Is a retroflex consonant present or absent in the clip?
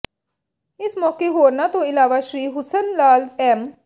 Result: absent